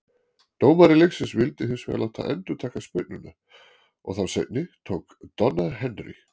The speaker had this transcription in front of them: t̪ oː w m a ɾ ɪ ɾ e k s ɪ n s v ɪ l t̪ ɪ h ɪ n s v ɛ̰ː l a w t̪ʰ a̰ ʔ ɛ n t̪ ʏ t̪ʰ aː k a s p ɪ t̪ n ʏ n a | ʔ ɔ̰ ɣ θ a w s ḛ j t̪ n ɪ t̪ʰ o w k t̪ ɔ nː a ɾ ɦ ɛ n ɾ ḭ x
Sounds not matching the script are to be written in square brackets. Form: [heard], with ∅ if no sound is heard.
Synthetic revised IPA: t̪ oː w m a ɾ ɪ [l] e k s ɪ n s v ɪ l t̪ ɪ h ɪ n s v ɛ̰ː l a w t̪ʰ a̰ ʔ ɛ n t̪ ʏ t̪ʰ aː k a s p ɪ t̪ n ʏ n a | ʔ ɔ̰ ɣ θ a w s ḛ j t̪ n ɪ t̪ʰ o w k t̪ ɔ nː a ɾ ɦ ɛ n ɾ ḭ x